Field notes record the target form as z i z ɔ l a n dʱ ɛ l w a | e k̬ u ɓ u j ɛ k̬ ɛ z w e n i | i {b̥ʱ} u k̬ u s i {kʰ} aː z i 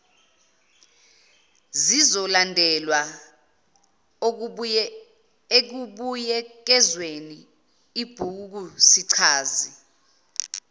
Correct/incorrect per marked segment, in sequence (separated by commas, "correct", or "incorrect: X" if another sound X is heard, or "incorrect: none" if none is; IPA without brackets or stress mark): correct, incorrect: ǀʰ